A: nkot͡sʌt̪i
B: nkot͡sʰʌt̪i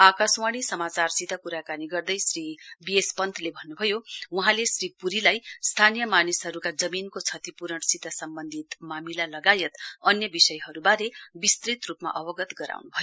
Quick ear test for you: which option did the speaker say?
B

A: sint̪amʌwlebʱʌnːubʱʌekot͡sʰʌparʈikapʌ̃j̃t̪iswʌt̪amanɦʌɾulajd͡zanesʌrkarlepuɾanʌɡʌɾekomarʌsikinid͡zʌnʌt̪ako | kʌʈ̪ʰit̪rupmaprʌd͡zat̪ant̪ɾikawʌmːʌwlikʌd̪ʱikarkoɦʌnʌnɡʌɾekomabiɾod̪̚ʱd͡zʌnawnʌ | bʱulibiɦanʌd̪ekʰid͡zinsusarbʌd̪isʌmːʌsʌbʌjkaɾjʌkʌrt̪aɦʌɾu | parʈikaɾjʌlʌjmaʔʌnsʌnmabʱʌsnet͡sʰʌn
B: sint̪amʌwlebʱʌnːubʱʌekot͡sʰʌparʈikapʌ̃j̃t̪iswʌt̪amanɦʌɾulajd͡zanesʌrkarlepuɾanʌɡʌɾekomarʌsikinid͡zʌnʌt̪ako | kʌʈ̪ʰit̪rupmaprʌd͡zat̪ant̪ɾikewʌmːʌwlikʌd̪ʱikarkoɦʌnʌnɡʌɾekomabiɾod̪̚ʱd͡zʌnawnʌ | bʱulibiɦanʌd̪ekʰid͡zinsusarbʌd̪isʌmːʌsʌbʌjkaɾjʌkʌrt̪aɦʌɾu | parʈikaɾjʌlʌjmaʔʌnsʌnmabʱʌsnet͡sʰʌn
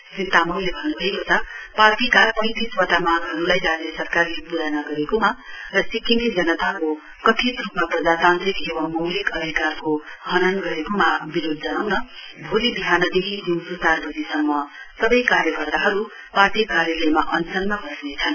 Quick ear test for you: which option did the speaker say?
B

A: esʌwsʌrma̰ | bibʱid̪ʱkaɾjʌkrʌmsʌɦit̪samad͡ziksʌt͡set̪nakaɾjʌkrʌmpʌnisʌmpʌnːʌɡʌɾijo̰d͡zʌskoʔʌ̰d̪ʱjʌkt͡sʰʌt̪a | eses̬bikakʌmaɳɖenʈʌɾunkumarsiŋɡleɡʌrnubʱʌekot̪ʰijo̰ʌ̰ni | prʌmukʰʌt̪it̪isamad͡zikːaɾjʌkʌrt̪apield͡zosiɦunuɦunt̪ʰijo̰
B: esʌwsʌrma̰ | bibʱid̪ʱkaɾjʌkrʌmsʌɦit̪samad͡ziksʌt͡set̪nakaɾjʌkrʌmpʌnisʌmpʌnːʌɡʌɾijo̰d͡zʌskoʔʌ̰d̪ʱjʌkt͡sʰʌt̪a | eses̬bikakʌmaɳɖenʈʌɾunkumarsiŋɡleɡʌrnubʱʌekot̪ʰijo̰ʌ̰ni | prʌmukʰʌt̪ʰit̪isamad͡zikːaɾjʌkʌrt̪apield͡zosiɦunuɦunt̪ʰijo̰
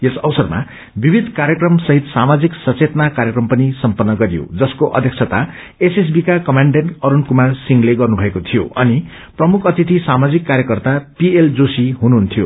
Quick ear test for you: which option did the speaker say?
A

